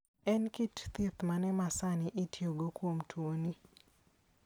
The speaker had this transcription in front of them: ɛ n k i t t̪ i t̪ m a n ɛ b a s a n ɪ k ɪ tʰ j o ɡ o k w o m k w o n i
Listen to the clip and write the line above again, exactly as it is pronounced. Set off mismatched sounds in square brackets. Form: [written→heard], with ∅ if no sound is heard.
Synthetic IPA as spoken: ɛ n k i t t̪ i t̪ m a n ɛ [b→m] a s a n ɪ [k→ʔ] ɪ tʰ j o ɡ o k w o m [k→t] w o n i